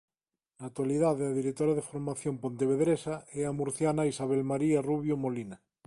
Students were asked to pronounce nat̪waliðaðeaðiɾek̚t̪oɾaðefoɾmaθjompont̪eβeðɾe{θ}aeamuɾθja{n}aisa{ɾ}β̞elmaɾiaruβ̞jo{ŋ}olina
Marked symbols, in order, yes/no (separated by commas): no, yes, no, no